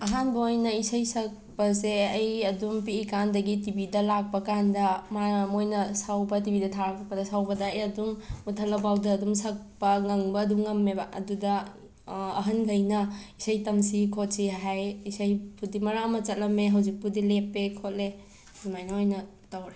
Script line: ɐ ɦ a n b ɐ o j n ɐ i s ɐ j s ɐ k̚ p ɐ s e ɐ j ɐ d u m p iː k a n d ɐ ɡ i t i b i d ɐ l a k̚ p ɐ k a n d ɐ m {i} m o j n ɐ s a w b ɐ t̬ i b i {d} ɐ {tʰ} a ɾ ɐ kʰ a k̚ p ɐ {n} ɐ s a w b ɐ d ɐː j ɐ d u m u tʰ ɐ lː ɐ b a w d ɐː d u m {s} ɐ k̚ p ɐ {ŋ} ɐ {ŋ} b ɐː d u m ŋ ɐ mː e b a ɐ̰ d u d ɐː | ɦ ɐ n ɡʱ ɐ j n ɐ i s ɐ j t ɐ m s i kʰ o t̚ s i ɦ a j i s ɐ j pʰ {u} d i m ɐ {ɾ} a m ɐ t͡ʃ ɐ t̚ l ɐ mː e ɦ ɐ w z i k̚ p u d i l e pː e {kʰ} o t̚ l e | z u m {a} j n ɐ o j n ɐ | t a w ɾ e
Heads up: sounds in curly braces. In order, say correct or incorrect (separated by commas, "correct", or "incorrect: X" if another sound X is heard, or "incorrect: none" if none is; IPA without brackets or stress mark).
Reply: incorrect: a, correct, correct, incorrect: d, correct, correct, correct, correct, correct, correct, correct